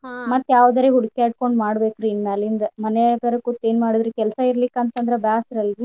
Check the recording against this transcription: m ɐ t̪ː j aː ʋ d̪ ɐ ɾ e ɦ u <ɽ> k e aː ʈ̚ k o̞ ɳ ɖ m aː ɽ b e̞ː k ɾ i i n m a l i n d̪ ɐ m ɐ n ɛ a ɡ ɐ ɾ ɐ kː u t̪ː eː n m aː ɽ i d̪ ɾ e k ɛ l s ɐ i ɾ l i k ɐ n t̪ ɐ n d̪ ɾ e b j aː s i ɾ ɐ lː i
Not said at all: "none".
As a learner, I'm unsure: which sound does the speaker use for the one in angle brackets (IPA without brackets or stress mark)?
ɽ